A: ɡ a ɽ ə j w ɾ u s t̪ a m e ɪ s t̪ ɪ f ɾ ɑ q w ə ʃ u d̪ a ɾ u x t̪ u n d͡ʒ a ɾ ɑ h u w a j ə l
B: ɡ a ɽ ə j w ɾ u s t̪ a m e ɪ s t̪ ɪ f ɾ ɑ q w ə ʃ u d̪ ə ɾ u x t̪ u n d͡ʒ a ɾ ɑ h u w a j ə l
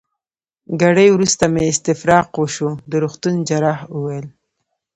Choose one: B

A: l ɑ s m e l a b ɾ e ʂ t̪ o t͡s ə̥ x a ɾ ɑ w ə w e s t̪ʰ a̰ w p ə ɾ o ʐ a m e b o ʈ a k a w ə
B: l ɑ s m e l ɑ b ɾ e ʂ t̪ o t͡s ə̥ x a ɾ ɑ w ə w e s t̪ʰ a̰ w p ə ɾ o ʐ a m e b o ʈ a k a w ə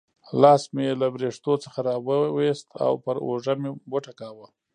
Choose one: A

